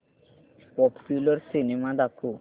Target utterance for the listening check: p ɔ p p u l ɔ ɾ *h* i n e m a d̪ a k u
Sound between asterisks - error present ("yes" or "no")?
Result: yes